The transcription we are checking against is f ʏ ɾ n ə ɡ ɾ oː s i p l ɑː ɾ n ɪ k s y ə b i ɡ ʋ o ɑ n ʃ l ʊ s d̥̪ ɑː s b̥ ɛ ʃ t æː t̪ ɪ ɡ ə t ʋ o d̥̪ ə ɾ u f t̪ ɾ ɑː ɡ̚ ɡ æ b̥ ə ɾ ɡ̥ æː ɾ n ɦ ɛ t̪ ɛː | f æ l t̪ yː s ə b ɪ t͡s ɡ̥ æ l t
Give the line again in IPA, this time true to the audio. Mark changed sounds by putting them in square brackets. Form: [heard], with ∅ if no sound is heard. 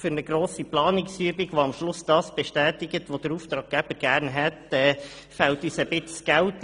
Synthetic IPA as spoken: f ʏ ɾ n ə ɡ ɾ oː s i p l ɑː [∅] n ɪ k s y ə b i ɡ ʋ o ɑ [m] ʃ l ʊ s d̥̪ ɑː s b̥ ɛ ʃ t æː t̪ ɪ ɡ ə t ʋ o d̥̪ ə ɾ u f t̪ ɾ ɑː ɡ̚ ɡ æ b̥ ə ɾ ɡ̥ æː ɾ n ɦ ɛ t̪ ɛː | f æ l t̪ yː s ə b ɪ t͡s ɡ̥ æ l t